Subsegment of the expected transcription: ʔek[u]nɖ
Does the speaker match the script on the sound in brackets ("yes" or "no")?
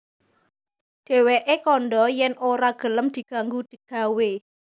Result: no